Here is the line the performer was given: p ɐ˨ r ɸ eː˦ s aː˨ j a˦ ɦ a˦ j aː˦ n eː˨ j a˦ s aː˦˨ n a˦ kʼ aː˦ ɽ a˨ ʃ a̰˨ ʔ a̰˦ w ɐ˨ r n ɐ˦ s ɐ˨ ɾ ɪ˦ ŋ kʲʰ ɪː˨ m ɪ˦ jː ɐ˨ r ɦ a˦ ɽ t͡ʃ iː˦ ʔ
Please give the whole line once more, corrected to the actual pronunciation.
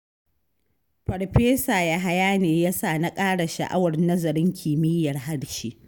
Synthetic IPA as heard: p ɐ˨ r ɸ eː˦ s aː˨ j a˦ ɦ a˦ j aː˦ n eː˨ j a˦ s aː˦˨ n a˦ kʼ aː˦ ɽ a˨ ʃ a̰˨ ʔ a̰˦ w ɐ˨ r n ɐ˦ z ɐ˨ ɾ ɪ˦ ŋ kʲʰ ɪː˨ m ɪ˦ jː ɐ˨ r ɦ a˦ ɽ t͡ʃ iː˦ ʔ